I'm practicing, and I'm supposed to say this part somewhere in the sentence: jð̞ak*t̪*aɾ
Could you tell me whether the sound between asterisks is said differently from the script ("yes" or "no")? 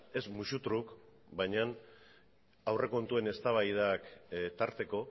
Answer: no